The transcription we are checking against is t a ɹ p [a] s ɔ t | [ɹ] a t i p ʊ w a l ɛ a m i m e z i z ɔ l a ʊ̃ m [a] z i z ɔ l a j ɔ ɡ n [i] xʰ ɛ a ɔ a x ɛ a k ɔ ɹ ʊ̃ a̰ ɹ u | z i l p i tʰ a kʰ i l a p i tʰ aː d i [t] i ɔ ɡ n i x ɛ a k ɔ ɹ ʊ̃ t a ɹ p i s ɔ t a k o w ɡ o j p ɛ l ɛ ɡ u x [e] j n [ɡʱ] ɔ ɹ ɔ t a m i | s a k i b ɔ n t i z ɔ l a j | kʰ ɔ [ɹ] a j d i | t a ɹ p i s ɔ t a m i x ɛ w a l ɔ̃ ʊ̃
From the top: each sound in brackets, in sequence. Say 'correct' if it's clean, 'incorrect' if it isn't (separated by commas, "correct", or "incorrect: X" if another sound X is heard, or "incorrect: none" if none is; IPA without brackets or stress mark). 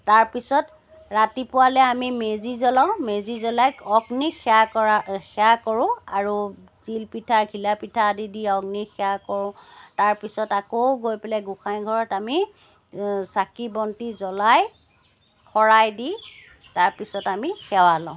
incorrect: i, correct, incorrect: e, correct, incorrect: d, incorrect: a, correct, correct